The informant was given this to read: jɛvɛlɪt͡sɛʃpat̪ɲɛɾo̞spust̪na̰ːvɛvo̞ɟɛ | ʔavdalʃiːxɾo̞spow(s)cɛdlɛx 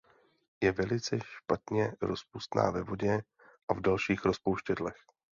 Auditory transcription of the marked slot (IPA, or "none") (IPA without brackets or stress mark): ʃ